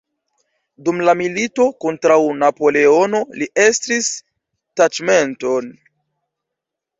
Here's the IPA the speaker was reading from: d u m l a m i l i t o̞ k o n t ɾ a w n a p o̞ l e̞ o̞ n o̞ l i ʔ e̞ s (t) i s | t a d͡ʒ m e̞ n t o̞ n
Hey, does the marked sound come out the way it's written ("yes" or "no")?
yes